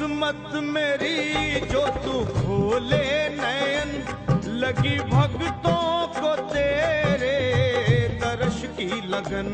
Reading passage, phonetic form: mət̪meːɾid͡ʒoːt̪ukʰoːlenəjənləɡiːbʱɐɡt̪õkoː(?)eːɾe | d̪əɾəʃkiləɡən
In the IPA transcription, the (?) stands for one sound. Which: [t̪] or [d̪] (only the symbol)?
t̪